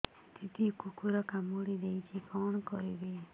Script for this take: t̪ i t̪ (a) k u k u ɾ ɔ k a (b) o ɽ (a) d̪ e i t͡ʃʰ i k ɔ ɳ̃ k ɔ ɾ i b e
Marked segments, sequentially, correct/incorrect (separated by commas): incorrect, incorrect, incorrect